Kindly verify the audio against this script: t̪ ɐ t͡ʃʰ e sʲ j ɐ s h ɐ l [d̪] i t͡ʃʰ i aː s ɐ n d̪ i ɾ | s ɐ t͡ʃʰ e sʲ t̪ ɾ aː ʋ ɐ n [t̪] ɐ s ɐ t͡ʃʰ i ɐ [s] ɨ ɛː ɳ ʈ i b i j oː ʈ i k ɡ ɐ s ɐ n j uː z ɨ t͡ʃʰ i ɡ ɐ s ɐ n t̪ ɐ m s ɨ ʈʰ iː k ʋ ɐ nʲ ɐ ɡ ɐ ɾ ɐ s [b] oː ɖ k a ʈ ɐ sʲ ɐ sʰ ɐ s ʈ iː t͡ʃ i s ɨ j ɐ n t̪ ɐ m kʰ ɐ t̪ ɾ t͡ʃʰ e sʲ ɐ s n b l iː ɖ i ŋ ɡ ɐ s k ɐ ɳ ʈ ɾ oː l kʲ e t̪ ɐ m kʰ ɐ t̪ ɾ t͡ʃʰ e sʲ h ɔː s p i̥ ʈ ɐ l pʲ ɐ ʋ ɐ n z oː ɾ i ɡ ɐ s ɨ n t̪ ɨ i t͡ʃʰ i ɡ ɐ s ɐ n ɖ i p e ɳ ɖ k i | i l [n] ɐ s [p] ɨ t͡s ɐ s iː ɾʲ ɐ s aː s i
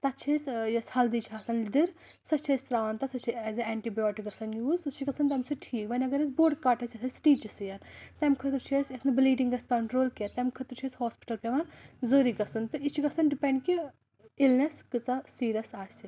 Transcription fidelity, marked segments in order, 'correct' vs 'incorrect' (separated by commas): correct, correct, incorrect, correct, correct, incorrect